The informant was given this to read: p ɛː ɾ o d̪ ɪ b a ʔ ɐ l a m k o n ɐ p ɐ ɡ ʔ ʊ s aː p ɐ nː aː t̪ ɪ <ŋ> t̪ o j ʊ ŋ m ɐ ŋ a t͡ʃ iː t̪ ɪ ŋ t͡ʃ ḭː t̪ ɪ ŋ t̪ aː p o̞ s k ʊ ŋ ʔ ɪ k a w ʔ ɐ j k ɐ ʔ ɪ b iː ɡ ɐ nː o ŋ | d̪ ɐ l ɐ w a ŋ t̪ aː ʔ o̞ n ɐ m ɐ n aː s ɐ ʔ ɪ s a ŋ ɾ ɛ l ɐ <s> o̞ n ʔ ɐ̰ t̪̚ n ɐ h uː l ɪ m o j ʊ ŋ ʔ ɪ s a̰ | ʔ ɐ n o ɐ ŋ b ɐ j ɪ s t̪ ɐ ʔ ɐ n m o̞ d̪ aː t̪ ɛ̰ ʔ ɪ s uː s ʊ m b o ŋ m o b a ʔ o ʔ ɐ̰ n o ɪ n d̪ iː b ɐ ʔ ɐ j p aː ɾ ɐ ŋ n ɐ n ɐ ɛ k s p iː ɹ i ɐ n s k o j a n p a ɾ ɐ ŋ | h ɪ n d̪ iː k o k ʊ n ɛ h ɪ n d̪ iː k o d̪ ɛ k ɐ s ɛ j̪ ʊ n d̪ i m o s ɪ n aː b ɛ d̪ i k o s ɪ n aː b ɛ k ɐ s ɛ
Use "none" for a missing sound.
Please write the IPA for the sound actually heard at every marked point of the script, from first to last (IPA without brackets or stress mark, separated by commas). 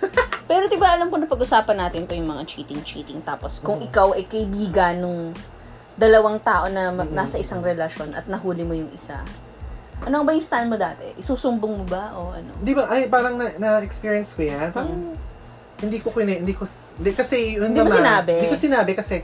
n, ʃ